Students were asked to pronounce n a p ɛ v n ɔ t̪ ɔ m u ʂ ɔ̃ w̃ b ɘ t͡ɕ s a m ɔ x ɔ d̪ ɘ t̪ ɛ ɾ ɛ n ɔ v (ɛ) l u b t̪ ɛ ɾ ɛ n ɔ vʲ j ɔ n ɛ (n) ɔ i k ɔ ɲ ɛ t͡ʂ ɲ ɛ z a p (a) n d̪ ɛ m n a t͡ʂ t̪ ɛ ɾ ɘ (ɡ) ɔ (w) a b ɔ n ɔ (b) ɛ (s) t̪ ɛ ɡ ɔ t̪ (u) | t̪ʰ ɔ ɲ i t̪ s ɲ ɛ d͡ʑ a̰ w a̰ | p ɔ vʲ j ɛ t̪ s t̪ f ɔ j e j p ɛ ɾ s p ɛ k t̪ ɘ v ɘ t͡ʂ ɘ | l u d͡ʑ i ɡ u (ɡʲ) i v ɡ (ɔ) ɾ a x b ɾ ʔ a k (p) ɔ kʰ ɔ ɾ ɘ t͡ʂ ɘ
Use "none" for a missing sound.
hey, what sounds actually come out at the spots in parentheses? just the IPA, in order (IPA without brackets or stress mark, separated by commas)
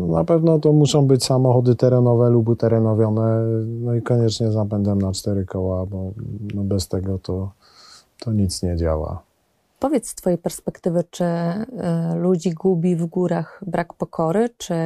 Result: ɛ, n, ɛ, k, w, b, s, ɔ, bʲ, u, p